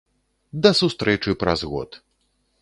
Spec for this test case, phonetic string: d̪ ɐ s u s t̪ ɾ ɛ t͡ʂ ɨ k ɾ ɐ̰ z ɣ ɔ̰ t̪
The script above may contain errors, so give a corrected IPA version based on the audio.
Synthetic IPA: d̪ ɐ s u s t̪ ɾ ɛ t͡ʂ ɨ p ɾ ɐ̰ z ɣ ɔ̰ t̪